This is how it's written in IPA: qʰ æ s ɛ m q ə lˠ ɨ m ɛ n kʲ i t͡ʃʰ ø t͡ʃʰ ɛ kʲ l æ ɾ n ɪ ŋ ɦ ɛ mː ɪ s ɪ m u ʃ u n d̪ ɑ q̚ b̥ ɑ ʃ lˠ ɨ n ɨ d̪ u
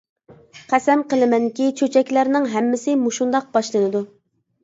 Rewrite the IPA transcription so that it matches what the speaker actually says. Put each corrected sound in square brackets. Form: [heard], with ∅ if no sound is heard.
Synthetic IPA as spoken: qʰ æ s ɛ m q ə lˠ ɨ m ɛ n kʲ i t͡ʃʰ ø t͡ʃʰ ɛ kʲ l æ ɾ n ɪ ŋ ɦ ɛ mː ɪ s ɪ m u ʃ u n d̪ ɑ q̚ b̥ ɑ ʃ lˠ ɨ n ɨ d̪ u